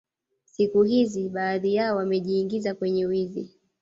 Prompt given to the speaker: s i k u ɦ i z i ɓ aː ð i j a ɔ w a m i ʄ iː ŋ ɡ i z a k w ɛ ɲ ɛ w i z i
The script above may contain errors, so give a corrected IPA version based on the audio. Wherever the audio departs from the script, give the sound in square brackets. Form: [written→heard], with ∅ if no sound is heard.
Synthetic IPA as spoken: s i k u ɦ i z i ɓ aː ð i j a ɔ w a m [i→ɛ] ʄ iː ŋ ɡ i z a k w ɛ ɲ ɛ w i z i